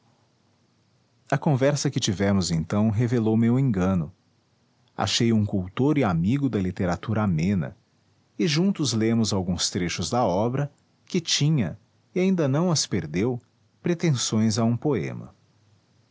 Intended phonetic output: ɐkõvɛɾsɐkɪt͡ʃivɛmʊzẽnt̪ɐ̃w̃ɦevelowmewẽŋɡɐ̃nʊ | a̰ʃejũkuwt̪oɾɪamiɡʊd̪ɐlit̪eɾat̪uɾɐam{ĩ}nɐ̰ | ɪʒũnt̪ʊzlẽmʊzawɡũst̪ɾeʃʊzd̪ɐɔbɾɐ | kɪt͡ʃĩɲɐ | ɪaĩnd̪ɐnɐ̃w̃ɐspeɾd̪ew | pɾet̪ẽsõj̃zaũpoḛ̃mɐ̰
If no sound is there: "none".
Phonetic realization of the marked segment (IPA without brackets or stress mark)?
ẽ